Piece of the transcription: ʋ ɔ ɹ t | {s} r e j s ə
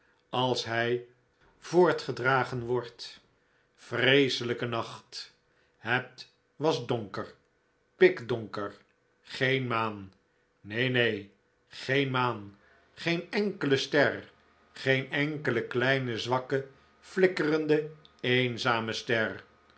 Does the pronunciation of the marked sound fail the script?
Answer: yes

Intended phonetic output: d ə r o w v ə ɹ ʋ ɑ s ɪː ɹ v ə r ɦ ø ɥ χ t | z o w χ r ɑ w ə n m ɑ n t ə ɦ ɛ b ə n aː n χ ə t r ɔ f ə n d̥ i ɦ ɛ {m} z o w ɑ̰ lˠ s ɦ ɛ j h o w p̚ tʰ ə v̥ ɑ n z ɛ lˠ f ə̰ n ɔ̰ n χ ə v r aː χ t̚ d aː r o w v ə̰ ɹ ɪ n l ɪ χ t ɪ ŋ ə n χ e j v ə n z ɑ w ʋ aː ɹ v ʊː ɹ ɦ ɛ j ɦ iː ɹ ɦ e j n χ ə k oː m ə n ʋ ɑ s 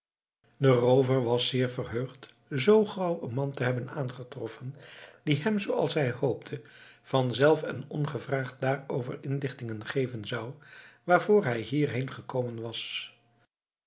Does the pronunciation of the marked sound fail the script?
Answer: no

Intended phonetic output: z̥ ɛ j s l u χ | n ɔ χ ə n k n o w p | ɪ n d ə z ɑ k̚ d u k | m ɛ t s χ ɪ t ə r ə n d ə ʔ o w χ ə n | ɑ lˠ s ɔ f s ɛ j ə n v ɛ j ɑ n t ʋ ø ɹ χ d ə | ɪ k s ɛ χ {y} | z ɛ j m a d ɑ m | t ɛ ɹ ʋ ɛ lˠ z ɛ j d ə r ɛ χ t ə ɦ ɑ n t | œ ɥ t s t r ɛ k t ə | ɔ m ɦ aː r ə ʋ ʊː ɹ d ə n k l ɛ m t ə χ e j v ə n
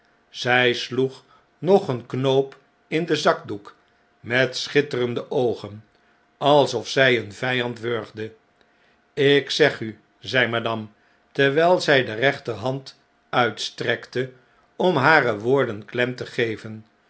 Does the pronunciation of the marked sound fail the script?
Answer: no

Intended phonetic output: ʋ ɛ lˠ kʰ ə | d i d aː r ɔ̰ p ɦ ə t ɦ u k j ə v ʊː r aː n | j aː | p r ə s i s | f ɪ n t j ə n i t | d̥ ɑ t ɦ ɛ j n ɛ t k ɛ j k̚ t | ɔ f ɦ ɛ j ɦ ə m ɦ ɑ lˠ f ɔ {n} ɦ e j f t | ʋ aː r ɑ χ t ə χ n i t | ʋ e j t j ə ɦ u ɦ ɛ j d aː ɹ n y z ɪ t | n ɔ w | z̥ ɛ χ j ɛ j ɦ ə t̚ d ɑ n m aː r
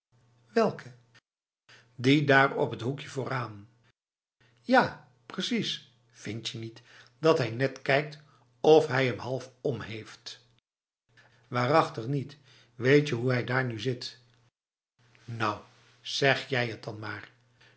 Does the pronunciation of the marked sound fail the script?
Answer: yes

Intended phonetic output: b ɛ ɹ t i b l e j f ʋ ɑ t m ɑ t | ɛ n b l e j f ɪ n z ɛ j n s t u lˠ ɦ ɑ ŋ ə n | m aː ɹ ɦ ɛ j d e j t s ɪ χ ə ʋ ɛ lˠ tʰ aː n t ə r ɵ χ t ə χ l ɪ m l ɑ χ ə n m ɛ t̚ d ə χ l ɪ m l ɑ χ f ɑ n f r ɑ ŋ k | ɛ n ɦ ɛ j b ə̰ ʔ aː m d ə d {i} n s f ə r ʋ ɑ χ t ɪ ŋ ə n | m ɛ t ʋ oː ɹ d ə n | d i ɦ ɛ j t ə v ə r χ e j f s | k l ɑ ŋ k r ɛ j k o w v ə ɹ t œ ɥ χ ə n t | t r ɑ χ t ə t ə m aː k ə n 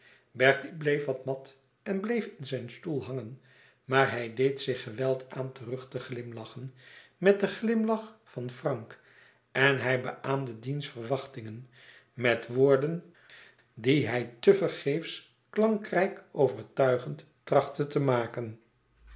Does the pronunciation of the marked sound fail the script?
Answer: no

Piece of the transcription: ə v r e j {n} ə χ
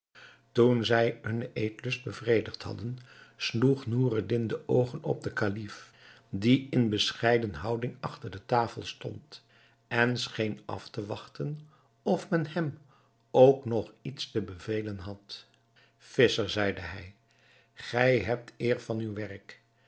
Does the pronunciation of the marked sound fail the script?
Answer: yes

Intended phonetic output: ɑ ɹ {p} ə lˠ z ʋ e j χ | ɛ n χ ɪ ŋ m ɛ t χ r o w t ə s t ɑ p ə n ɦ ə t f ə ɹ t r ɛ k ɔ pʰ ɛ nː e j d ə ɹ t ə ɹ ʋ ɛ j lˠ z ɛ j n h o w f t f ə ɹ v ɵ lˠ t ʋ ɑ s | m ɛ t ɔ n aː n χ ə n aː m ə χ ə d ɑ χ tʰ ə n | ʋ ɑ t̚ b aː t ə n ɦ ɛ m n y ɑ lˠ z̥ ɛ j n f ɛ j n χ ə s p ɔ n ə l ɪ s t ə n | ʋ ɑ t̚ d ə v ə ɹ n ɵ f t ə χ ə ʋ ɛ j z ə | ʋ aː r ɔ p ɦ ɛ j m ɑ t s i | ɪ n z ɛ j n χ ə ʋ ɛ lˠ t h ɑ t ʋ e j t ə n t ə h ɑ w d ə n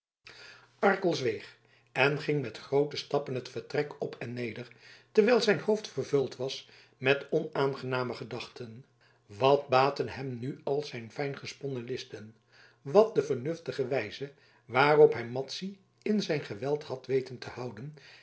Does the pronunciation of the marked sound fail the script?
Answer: yes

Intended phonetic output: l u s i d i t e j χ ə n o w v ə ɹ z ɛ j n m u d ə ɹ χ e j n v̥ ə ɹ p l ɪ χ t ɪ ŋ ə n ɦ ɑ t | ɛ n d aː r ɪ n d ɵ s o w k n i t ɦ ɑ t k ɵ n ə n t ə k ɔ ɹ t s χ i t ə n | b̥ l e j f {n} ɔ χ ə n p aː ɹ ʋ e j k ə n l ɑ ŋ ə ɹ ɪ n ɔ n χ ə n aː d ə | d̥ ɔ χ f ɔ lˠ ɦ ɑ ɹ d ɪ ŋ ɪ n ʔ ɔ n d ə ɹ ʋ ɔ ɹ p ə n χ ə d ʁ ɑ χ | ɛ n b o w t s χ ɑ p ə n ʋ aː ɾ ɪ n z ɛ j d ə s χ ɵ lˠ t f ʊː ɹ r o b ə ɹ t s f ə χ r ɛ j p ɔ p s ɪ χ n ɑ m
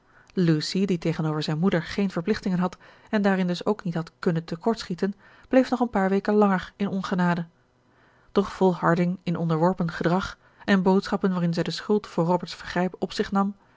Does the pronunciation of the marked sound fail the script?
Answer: no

